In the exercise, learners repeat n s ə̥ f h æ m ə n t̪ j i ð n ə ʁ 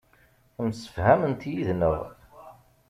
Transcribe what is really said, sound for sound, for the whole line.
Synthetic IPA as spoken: m s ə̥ f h æ m ə n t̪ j i ð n ə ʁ